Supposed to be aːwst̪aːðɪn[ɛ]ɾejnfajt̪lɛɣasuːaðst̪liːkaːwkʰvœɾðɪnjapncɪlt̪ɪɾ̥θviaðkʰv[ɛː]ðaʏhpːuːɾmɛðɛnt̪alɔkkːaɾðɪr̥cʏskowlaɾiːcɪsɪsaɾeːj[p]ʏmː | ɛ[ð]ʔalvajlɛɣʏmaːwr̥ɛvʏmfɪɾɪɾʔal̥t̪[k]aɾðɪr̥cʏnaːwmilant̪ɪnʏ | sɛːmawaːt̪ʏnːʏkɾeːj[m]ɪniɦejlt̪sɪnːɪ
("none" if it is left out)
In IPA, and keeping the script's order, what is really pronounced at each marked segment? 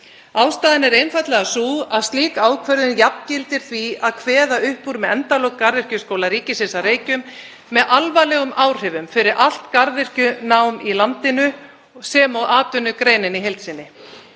ɛ, ɛː, c, ð, k, n

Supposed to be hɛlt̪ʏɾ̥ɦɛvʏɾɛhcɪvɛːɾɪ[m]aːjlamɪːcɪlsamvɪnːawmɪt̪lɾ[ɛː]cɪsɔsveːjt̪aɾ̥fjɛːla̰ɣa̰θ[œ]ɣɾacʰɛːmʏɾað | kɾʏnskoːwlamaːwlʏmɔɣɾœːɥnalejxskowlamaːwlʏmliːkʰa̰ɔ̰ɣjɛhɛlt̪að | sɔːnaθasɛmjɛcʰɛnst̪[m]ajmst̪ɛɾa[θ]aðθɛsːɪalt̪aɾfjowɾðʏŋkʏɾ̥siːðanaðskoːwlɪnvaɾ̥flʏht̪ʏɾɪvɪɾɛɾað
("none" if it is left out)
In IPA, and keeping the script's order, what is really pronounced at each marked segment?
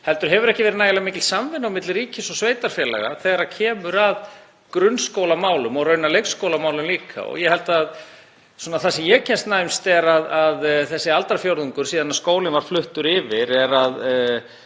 n, iː, ɛ, n, ð

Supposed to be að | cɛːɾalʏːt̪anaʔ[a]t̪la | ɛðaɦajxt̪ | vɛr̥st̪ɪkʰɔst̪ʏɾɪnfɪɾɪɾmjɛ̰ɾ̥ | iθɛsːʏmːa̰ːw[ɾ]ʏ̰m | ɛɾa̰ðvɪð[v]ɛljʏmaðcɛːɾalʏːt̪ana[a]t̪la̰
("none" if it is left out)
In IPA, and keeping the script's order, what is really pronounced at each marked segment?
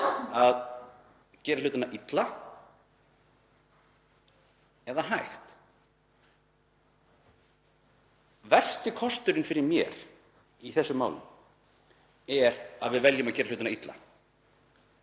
i, l, v, i

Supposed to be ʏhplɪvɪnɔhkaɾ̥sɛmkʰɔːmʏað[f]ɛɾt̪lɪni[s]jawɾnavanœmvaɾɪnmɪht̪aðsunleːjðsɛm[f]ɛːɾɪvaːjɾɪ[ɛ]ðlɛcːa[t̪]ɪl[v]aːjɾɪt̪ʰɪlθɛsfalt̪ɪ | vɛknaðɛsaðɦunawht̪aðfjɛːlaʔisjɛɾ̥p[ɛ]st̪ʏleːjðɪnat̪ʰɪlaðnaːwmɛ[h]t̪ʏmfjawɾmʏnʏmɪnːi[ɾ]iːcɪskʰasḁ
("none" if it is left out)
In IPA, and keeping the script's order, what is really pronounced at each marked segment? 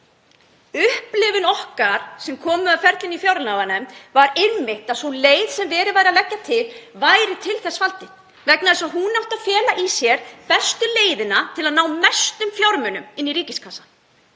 f, f, v, a, t̪ʰ, v, ɛ, s, ɾ

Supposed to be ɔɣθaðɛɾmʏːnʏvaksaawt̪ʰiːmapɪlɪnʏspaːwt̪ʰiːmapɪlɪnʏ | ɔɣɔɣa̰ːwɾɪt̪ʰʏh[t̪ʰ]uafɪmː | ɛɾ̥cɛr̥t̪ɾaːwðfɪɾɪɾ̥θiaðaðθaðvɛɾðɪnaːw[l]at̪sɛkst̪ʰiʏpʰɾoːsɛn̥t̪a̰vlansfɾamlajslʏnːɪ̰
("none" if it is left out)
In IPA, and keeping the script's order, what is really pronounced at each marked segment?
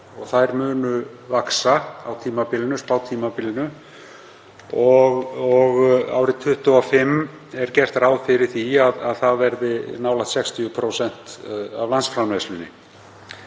t̪, l

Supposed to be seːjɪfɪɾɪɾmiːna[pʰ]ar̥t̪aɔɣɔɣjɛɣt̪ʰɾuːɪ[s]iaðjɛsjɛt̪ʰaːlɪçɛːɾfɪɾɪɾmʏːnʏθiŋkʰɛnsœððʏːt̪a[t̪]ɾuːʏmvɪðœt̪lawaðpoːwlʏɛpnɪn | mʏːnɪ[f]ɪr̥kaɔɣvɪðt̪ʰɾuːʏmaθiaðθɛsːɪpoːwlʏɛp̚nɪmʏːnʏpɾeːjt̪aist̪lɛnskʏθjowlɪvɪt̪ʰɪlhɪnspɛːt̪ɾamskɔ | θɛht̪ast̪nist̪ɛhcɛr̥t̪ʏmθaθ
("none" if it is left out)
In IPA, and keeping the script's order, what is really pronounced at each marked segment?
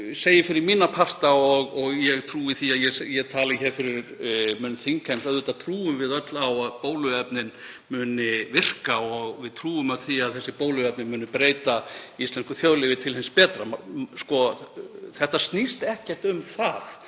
pʰ, θ, t̪ʰ, v

